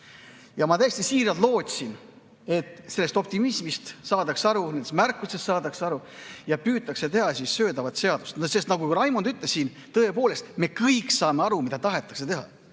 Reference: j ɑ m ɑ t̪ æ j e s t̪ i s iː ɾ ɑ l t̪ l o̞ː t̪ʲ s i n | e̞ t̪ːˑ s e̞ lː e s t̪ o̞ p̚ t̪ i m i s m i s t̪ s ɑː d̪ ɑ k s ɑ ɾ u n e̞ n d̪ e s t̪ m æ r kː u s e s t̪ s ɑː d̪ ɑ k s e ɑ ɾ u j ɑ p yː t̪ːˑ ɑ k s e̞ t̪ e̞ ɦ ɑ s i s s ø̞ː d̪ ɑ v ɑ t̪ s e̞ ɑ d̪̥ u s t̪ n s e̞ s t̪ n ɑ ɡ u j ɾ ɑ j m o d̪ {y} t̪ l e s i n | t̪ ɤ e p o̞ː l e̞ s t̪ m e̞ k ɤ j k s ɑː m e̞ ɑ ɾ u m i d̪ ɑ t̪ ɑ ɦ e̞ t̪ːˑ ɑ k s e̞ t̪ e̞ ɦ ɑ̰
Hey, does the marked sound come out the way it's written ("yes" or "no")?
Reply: yes